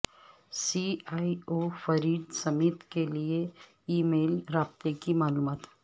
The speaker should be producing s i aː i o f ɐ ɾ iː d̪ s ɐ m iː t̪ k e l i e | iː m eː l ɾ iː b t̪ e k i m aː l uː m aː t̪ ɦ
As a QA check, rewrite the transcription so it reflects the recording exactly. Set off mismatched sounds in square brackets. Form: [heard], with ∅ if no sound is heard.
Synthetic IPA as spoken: s i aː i o f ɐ ɾ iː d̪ s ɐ m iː t̪ k e l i e | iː m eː l ɾ [aː] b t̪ e k i m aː l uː m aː t̪ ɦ